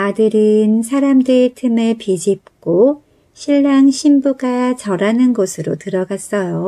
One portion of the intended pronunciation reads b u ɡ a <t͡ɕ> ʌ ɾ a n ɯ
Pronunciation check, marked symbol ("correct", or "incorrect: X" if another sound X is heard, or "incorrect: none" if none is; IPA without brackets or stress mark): correct